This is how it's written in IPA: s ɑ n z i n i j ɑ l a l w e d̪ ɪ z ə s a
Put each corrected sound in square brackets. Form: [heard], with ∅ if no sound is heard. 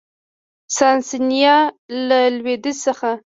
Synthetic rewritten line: s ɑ n [s] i n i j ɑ l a l w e d̪ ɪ [s] ə [x] a